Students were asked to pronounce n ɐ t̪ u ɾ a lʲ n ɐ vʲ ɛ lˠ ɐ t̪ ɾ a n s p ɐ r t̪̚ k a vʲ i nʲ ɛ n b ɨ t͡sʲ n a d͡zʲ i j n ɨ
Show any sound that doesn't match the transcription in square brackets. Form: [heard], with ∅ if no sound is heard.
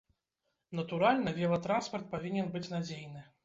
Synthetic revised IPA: n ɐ t̪ u ɾ a lʲ n ɐ vʲ ɛ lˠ ɐ t̪ ɾ a n s p ɐ r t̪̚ [p] a vʲ i nʲ ɛ n b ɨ t͡sʲ n a d͡zʲ [e] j n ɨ